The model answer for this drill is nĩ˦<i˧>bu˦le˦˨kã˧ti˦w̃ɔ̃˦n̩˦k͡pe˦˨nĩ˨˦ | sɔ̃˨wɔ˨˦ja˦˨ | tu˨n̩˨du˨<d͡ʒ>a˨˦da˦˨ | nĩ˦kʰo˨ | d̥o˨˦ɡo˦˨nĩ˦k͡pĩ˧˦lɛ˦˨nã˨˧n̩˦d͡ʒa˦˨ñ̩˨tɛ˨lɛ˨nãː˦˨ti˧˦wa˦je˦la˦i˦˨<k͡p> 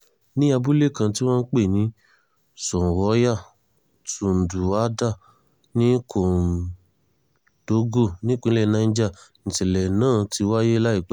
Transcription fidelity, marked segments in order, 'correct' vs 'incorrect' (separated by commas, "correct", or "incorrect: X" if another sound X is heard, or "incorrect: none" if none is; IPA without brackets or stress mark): incorrect: a˧, incorrect: none, correct